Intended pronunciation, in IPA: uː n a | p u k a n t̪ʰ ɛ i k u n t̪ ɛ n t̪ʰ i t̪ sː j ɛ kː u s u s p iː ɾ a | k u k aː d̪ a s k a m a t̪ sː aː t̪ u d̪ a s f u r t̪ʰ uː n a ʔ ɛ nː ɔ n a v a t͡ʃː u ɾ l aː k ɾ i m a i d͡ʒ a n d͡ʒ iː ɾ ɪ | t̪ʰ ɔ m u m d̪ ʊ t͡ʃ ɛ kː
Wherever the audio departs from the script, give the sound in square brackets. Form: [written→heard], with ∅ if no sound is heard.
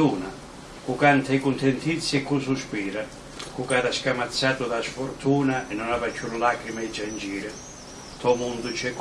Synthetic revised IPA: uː n a | [p→k] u k a n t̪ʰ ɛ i k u n t̪ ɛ n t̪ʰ i t̪ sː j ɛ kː u s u s p iː ɾ a | k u k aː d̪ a s k a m a t̪ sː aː t̪ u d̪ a s f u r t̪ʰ uː n a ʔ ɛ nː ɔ n a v a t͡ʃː u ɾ l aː k ɾ i m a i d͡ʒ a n d͡ʒ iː ɾ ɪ | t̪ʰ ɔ m u [m→n] d̪ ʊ t͡ʃ ɛ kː